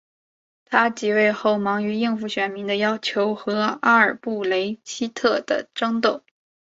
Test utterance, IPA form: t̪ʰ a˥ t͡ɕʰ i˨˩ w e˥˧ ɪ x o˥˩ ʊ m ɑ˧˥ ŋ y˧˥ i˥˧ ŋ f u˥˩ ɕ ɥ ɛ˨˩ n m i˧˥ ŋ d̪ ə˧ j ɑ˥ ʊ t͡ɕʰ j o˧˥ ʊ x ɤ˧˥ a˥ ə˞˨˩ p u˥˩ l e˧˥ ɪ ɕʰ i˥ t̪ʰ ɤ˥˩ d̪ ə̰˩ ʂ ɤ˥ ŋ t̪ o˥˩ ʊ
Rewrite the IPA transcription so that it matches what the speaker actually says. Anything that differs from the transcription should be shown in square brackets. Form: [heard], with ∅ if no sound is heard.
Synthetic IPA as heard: t̪ʰ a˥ [t͡ɕ] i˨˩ w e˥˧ ɪ x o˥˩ ʊ m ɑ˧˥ ŋ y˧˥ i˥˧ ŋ f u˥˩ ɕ ɥ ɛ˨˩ n m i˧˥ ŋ d̪ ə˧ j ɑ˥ ʊ t͡ɕʰ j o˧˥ ʊ x ɤ˧˥ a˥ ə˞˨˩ p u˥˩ l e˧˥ ɪ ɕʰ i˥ t̪ʰ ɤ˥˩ d̪ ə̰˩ [ʈ͡ʂ] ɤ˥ ŋ t̪ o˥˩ ʊ

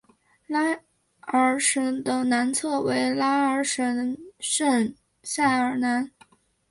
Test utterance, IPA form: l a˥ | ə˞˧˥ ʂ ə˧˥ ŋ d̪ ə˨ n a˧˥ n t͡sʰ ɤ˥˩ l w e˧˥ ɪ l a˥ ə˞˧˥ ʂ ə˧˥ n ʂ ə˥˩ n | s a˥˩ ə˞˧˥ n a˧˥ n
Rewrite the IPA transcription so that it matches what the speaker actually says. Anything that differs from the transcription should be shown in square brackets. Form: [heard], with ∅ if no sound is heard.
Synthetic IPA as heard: l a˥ | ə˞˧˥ ʂ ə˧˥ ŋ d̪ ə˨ n a˧˥ n t͡sʰ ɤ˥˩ [∅] w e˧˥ ɪ l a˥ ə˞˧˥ ʂ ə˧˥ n ʂ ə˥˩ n | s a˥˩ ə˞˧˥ n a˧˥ n

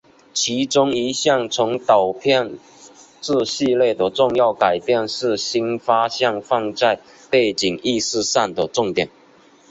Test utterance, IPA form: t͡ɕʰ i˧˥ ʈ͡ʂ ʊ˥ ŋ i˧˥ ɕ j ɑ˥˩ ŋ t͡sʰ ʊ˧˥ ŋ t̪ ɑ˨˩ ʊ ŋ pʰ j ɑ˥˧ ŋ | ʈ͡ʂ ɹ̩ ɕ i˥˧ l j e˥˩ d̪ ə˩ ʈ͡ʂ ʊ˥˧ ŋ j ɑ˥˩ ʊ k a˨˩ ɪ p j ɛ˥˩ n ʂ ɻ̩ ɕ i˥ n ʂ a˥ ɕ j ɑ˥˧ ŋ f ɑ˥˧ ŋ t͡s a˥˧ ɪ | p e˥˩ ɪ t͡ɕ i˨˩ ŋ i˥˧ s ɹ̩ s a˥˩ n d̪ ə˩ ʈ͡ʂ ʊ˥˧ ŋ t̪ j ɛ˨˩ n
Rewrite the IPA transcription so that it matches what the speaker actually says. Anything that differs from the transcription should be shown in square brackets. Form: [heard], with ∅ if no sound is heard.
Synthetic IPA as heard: t͡ɕʰ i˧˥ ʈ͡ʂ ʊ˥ ŋ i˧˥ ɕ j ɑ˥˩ ŋ t͡sʰ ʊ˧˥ ŋ t̪ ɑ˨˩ ʊ [∅] pʰ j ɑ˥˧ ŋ | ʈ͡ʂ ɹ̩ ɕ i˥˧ l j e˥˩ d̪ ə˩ ʈ͡ʂ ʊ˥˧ ŋ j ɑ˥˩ ʊ k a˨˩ ɪ p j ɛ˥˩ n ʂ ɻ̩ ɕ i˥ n [f] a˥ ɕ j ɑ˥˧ ŋ f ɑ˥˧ ŋ t͡s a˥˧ ɪ | p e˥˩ ɪ t͡ɕ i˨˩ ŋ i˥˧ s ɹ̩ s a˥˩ n d̪ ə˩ ʈ͡ʂ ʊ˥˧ ŋ t̪ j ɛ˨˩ n

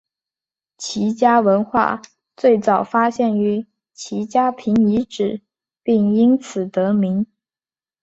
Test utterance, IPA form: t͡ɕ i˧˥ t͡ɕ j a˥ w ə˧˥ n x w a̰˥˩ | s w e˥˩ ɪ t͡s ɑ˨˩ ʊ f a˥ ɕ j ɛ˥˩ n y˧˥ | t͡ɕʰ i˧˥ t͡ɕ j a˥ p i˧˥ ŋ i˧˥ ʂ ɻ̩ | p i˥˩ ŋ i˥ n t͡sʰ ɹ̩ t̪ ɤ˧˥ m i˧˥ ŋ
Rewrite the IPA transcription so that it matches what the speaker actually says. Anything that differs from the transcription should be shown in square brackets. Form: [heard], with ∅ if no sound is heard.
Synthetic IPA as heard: [t͡ɕʰ] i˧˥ t͡ɕ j a˥ w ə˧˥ n x w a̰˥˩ | [t͡s] w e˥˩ ɪ t͡s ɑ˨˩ ʊ f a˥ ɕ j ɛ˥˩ n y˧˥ | t͡ɕʰ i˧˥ t͡ɕ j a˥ [pʰ] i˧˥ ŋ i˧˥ [ʈ͡ʂ] ɻ̩ | p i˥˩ ŋ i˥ n t͡sʰ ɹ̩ t̪ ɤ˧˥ m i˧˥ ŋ

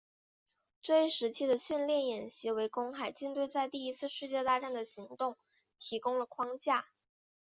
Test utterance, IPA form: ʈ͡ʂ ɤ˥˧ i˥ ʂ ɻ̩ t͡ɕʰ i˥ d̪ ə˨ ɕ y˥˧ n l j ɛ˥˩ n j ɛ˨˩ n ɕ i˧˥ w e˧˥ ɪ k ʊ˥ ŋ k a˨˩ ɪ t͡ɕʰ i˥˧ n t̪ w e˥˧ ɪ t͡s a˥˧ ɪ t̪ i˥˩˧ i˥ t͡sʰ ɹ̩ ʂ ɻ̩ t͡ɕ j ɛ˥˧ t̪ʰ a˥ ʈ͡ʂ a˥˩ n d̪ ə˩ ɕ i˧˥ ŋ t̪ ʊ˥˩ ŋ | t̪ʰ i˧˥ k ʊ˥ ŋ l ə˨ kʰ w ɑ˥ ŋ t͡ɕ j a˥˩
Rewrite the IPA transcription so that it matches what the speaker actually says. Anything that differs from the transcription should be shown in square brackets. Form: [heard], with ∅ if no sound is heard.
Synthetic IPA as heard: ʈ͡ʂ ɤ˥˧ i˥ ʂ ɻ̩ t͡ɕʰ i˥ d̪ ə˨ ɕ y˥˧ n l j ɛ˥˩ n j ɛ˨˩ n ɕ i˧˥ w e˧˥ ɪ k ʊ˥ ŋ [x] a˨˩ ɪ [t͡ɕ] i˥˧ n t̪ w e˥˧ ɪ t͡s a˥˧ ɪ t̪ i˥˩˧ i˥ t͡sʰ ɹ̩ ʂ ɻ̩ t͡ɕ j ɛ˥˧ [t̪] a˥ ʈ͡ʂ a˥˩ n d̪ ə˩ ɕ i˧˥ ŋ t̪ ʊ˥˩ ŋ | t̪ʰ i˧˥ k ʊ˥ ŋ l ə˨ kʰ w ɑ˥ ŋ t͡ɕ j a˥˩

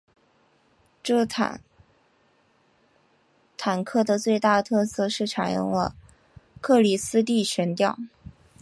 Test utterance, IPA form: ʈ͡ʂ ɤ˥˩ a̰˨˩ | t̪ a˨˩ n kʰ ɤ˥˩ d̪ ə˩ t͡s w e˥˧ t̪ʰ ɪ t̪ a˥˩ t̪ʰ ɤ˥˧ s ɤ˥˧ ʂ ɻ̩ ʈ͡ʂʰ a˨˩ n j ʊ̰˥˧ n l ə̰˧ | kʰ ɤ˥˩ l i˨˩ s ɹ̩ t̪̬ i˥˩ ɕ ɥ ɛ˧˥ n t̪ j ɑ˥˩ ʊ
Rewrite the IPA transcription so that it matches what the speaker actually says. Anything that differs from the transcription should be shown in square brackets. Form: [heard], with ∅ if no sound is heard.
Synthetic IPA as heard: ʈ͡ʂ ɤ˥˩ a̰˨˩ | [t̪ʰ] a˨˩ n kʰ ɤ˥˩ d̪ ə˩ t͡s w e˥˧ [∅] ɪ t̪ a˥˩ t̪ʰ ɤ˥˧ s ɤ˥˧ ʂ ɻ̩ ʈ͡ʂʰ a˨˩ n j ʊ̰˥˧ [ŋ] l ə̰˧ | kʰ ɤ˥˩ l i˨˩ s ɹ̩ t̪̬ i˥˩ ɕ ɥ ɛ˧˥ n t̪ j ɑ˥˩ ʊ

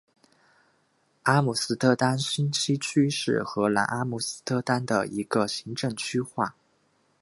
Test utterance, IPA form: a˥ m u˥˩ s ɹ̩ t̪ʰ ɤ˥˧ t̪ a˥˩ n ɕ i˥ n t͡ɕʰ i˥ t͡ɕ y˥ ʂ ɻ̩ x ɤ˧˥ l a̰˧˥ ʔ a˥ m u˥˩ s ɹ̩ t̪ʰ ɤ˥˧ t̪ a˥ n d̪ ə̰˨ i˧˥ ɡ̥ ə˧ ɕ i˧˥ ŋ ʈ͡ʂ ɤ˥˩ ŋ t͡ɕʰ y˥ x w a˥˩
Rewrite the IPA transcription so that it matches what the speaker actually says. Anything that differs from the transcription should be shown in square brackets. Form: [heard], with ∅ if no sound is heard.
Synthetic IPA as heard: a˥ m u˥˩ s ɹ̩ t̪ʰ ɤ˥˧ t̪ [a˥] n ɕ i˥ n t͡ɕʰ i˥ [t͡ɕʰ] y˥ ʂ ɻ̩ x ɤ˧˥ l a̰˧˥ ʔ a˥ m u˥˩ s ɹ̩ t̪ʰ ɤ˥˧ t̪ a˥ n d̪ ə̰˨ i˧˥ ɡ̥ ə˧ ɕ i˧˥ ŋ ʈ͡ʂ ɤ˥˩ ŋ t͡ɕʰ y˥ x w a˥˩

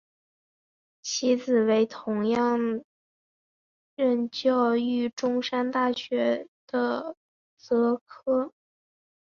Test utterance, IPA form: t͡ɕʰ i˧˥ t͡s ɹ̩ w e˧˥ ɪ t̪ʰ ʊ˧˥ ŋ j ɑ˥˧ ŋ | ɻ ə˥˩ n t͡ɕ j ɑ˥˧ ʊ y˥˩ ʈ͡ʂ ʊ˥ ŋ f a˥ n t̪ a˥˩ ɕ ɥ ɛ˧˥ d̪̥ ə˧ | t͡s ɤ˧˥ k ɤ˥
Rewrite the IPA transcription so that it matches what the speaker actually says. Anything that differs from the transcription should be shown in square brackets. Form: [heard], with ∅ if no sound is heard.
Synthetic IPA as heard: t͡ɕʰ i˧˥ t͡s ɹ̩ w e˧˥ ɪ t̪ʰ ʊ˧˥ ŋ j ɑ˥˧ ŋ | ɻ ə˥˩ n t͡ɕ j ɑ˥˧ ʊ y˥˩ ʈ͡ʂ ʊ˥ ŋ [ʂ] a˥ n t̪ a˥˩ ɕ ɥ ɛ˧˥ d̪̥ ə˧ | t͡s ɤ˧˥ [kʰ] ɤ˥

